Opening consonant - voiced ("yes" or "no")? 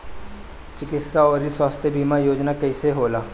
no